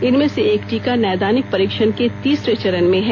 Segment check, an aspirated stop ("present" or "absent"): absent